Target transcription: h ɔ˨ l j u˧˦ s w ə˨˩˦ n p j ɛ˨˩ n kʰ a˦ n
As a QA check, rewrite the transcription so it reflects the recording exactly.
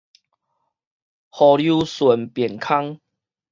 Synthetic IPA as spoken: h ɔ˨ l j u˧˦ s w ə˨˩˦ n p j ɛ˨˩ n kʰ a˦ ŋ